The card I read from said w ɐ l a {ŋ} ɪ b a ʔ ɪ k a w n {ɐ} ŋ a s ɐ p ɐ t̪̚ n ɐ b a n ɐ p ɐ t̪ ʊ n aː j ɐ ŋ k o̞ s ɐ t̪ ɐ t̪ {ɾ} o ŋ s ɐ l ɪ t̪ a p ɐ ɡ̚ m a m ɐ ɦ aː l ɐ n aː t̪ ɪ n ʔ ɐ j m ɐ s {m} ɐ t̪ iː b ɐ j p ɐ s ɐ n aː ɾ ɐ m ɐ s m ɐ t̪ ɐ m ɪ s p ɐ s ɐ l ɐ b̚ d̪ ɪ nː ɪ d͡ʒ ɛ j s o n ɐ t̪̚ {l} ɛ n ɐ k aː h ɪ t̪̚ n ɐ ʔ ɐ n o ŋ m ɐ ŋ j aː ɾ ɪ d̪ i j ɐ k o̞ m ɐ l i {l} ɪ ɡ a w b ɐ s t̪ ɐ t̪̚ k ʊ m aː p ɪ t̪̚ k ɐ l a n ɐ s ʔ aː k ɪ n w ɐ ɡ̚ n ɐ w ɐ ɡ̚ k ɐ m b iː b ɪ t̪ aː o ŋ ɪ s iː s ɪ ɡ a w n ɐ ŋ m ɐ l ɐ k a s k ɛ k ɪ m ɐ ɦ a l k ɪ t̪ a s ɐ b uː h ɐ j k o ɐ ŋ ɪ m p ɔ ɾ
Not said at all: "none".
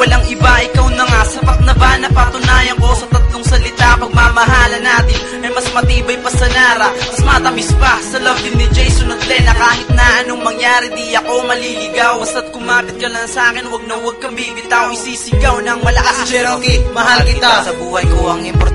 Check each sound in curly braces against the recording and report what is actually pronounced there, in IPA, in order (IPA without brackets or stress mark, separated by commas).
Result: ŋ, ɐ, l, m, l, l